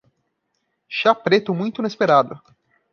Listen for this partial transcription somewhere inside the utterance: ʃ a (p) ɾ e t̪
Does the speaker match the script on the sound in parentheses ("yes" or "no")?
yes